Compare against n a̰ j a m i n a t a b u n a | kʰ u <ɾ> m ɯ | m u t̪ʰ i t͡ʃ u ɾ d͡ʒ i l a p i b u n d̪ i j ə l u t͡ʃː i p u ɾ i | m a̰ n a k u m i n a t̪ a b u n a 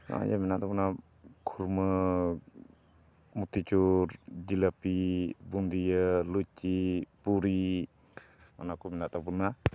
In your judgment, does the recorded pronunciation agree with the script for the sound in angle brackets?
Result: yes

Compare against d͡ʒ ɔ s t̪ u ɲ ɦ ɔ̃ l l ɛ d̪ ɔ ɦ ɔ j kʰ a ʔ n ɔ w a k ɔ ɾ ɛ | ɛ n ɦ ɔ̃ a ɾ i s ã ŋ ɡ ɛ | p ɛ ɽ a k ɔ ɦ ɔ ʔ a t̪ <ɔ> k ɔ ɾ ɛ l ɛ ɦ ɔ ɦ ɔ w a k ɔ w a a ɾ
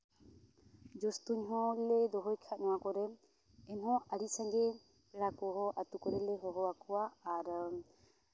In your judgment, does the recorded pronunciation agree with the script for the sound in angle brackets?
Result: no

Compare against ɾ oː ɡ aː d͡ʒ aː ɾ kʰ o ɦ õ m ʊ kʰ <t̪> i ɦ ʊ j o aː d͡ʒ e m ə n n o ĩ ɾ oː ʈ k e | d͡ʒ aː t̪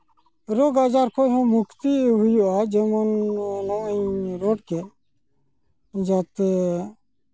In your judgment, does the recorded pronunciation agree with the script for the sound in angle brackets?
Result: yes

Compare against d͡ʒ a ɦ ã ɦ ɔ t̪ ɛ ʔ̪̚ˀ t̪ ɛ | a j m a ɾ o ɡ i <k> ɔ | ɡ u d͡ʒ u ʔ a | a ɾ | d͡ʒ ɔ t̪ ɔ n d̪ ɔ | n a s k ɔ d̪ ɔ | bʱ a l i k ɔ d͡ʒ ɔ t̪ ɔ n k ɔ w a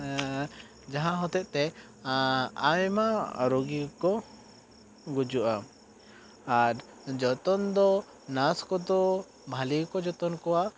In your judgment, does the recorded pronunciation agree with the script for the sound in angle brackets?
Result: yes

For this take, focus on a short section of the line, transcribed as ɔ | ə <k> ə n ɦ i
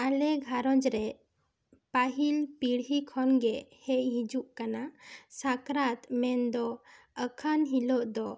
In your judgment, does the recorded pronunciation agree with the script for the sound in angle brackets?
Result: no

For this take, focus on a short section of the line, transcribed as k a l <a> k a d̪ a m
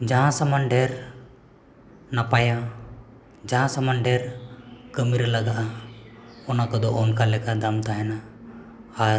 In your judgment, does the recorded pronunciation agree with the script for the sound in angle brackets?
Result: no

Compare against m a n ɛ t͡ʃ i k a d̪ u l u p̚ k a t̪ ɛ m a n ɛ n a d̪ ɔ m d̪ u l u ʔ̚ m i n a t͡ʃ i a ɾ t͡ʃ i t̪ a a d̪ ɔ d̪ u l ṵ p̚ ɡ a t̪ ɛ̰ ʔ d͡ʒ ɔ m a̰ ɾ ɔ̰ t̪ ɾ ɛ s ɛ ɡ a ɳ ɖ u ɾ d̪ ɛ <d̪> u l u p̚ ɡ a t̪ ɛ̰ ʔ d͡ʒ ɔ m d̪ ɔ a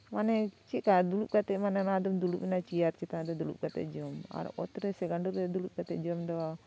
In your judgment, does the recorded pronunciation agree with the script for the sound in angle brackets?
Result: yes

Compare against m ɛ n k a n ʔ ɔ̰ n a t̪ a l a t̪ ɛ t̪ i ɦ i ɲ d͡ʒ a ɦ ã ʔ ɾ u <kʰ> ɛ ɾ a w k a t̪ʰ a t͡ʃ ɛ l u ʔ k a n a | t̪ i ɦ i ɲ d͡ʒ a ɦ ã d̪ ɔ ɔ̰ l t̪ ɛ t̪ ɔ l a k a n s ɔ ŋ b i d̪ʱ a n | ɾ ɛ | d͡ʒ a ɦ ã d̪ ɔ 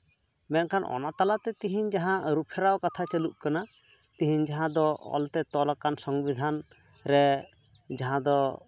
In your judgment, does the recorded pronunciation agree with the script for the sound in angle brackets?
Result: no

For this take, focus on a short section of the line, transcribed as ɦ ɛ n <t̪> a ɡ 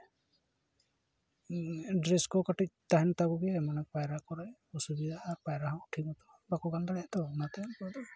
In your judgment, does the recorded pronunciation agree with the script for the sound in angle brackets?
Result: yes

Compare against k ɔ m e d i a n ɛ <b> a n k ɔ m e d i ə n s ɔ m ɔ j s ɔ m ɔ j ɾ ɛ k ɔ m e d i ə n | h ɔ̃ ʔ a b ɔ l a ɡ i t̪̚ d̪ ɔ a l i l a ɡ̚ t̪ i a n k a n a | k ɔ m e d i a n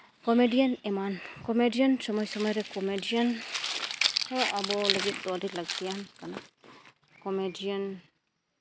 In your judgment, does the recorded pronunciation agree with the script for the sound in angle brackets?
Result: no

